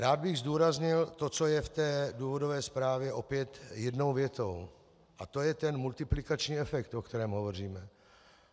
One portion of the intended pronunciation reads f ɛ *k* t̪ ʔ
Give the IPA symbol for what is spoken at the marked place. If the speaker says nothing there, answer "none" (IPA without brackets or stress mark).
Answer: k